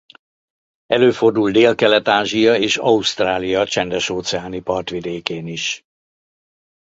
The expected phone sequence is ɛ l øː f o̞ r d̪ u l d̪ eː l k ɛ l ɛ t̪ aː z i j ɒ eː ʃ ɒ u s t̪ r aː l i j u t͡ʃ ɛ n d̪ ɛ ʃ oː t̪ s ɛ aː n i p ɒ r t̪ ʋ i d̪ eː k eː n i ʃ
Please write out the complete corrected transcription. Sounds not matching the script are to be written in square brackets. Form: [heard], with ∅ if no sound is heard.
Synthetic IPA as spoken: ɛ l øː f o̞ r d̪ u l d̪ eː l k ɛ l ɛ t̪ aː [ʒ] i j ɒ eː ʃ ɒ u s t̪ r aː l i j [ɒ] t͡ʃ ɛ n d̪ ɛ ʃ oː t̪ s ɛ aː n i p ɒ r t̪ ʋ i d̪ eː k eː n i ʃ